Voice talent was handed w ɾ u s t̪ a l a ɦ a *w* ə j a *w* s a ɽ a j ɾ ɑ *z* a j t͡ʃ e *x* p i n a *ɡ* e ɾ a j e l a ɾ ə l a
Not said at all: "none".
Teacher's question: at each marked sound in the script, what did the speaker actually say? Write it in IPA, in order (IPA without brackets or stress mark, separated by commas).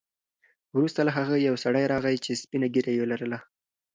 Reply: ɣ, w, ɣ, s, ɡ